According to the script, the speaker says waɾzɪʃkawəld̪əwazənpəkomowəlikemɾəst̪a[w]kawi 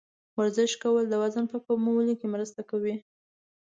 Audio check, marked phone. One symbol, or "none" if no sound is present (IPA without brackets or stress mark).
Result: none